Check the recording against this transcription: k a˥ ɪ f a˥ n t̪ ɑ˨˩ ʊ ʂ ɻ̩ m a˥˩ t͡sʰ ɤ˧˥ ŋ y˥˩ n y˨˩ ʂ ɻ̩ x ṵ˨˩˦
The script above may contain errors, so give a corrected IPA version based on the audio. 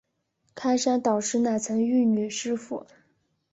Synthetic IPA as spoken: kʰ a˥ ɪ ʂ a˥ n t̪ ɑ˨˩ ʊ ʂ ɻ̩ n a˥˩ t͡sʰ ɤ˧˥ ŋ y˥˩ n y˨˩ ʂ ɻ̩ f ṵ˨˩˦